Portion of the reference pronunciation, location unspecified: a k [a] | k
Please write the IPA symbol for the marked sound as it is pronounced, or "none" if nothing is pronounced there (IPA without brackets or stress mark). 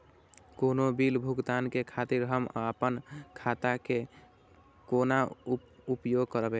e